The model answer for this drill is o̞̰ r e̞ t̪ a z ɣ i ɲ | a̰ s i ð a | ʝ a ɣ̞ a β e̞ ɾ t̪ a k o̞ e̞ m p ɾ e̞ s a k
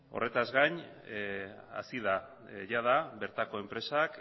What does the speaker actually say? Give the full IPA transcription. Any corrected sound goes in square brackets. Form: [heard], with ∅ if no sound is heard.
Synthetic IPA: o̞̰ r e̞ t̪ a z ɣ [a] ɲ | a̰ s i ð a | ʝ a [ð̞] a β e̞ ɾ t̪ a k o̞ e̞ m p ɾ e̞ s a k